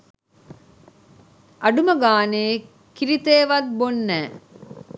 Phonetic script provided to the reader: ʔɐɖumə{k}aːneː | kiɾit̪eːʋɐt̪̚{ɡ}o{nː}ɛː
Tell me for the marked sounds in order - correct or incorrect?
incorrect: ɡ, incorrect: b, correct

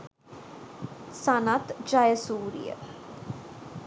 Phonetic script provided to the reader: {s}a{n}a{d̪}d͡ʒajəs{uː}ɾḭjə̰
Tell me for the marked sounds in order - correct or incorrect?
correct, correct, incorrect: t̪, correct

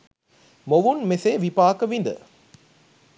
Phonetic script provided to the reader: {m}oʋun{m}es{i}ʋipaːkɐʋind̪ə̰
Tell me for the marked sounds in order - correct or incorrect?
correct, correct, incorrect: e

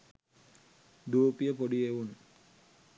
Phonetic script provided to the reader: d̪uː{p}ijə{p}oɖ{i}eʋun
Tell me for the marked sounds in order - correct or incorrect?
correct, correct, correct

